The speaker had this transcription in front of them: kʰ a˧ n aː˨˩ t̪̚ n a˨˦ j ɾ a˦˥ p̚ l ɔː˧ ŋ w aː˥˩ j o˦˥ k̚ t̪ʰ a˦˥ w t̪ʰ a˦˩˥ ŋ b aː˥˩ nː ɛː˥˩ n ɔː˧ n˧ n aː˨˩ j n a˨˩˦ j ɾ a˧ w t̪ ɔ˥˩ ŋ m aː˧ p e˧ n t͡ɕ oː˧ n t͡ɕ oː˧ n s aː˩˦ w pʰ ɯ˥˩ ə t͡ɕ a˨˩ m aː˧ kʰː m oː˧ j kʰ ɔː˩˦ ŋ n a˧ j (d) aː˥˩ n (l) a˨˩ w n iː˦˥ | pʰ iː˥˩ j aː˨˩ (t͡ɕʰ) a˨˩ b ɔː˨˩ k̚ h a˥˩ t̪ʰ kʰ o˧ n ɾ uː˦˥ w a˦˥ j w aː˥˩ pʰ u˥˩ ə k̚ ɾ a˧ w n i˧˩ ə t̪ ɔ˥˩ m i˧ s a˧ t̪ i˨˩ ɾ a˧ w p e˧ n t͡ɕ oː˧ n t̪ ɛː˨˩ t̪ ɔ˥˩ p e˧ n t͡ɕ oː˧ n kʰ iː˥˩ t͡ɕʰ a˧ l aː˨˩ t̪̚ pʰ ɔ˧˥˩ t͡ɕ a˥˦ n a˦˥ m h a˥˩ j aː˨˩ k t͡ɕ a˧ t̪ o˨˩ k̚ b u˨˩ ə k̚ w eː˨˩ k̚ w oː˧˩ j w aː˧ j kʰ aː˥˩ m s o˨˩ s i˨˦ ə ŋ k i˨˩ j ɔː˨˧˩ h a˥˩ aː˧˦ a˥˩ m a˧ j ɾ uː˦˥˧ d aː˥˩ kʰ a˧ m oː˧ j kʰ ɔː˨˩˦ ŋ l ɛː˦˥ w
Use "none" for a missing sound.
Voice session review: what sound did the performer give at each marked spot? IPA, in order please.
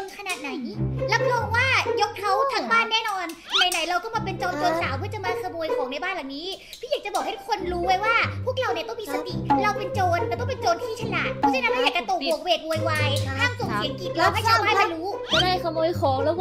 b, l, t͡ɕ

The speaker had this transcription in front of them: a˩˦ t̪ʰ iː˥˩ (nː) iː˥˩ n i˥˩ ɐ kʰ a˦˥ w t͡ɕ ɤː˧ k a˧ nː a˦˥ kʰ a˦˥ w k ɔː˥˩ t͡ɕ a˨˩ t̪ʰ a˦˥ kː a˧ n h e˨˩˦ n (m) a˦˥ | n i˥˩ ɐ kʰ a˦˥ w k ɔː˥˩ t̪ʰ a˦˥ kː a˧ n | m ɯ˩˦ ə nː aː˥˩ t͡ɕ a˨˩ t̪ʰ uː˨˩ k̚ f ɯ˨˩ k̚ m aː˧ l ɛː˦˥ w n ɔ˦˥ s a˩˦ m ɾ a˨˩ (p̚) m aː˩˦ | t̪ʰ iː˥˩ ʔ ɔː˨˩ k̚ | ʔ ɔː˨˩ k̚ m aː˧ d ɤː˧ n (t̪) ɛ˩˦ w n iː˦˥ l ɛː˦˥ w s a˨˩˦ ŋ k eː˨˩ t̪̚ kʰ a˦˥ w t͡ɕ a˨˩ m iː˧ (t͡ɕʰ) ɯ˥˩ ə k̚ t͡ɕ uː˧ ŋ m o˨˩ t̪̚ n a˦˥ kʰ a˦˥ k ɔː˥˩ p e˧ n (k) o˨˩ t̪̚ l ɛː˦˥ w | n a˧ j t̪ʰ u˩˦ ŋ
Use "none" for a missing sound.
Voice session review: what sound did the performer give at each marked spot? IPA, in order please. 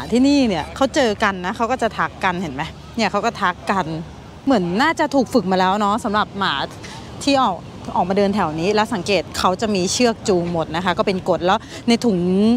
n, m, p̚, t̪ʰ, t͡ɕʰ, k

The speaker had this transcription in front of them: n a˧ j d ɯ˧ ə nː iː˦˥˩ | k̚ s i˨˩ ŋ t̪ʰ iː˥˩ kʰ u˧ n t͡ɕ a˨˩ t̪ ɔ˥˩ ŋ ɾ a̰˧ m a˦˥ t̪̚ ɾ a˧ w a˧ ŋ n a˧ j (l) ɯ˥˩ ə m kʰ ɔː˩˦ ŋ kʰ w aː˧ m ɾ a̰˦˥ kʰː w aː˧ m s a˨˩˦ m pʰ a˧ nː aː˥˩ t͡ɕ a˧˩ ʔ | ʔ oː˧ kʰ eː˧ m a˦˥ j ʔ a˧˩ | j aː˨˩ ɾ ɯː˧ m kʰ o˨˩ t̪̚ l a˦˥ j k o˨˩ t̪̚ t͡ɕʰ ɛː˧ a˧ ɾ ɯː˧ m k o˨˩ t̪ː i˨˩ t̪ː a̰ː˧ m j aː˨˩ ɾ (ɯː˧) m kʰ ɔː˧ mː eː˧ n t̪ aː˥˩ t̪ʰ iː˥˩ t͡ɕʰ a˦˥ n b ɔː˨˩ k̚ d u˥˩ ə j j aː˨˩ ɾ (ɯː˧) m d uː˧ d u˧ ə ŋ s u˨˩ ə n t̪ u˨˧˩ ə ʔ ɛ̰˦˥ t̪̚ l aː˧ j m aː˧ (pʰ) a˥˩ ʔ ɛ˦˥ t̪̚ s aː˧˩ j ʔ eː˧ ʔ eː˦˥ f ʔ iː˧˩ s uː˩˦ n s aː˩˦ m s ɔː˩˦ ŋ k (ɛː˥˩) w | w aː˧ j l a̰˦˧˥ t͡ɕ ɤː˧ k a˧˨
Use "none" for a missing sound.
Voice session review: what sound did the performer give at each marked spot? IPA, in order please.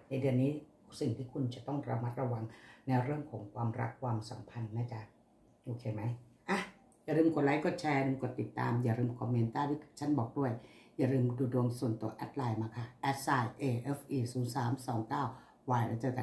ɾ, ɯː˧, ɯː˧, kʰ, aː˥˩

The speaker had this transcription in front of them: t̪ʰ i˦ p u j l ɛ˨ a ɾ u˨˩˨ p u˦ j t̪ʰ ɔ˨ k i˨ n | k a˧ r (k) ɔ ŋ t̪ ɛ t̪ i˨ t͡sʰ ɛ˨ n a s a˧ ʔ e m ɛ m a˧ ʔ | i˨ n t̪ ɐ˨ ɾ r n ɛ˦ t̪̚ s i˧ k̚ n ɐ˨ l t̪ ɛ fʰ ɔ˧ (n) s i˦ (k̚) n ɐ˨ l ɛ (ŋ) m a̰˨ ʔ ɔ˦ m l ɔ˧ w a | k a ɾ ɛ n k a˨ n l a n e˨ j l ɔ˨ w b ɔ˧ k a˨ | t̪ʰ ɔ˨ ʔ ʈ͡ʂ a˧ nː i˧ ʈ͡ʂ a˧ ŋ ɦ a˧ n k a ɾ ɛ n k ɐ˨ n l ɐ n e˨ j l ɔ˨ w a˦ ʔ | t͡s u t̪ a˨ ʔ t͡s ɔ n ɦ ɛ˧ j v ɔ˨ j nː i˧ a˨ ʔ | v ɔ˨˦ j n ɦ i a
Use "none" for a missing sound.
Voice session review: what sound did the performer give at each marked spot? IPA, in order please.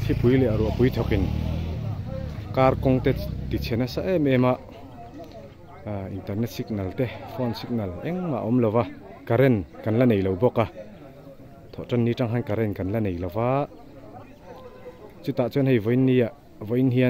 k, n, k̚, ŋ

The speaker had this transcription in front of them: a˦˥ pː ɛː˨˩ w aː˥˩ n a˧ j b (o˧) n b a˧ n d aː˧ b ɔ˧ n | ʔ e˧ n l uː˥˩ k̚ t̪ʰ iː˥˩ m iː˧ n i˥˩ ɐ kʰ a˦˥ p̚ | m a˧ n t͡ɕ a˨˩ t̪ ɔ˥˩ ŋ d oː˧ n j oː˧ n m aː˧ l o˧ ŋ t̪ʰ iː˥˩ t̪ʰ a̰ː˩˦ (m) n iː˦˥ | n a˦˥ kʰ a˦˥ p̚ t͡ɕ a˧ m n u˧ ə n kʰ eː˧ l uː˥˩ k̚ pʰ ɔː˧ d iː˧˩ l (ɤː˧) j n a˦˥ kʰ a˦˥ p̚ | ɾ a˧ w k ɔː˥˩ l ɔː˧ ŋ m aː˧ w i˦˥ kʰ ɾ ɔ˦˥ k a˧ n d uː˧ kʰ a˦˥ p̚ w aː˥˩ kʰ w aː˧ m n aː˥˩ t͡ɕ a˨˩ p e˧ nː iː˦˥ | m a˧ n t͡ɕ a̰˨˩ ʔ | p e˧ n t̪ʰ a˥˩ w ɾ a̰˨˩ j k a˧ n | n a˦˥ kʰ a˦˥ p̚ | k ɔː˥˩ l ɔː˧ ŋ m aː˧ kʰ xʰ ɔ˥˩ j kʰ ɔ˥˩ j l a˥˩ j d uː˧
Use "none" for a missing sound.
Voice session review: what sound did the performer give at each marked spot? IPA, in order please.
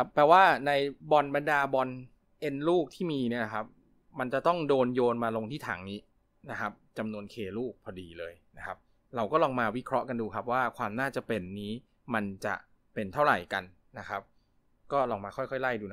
ɔ˧, ŋ, ɤː˧

